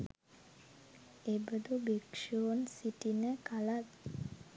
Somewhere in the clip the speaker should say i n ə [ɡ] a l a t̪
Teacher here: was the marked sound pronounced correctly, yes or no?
no